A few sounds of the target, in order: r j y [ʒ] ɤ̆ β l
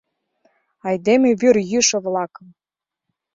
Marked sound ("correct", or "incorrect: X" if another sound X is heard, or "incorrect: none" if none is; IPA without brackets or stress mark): incorrect: ʃ